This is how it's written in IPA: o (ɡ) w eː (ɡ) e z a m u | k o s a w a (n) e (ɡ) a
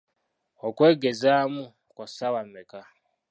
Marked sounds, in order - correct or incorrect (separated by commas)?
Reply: incorrect, correct, incorrect, incorrect